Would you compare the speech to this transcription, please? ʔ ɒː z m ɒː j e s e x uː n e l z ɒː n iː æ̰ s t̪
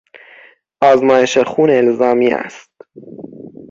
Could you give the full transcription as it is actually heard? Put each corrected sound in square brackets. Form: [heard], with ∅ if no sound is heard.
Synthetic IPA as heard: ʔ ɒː z m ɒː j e [ʃ] e x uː n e l z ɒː [m] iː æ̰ s t̪